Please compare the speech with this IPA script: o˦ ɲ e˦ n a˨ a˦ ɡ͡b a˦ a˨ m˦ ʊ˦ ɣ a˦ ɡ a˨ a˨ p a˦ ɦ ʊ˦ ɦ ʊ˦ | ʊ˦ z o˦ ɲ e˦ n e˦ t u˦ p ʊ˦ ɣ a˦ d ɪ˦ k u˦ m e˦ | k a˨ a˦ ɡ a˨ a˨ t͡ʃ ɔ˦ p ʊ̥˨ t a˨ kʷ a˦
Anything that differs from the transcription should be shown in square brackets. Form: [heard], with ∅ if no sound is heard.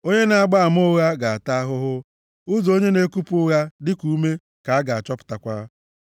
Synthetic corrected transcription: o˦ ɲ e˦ n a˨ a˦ ɡ͡b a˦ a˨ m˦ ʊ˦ ɣ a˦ ɡ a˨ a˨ [t] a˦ ɦ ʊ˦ ɦ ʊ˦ | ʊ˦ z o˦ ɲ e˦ n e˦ [k] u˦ p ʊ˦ ɣ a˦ d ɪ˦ k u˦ m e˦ | k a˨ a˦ ɡ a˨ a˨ t͡ʃ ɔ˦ p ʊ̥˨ t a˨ kʷ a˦